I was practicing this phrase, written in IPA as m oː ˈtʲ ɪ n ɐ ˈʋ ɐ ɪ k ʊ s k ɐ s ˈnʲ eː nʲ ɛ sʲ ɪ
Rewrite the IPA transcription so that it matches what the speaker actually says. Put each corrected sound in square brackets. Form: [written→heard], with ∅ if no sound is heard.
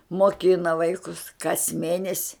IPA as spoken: m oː [ˈtʲ→ˈkʲ] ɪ n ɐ ˈʋ ɐ ɪ k ʊ s k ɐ s [ˈnʲ→ˈmʲ] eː nʲ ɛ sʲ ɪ